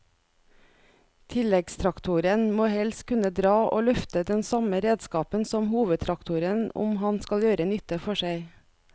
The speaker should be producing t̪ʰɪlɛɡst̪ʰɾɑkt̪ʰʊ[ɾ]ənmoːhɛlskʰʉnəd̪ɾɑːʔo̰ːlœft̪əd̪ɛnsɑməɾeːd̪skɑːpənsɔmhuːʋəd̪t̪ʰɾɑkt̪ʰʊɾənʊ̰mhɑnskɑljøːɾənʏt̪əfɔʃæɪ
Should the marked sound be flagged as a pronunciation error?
no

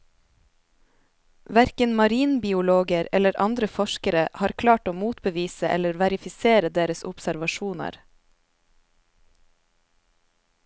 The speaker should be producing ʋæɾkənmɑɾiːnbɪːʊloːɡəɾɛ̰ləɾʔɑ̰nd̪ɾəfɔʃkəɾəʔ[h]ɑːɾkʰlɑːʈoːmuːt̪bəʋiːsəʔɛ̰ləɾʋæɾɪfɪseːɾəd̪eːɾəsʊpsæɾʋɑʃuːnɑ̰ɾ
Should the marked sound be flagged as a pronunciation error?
no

